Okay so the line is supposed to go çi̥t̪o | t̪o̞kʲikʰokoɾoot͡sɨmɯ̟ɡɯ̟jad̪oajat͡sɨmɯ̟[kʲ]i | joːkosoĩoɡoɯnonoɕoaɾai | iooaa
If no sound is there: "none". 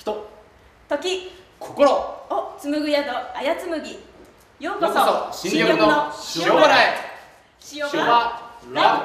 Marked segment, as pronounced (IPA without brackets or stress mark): ɡʲ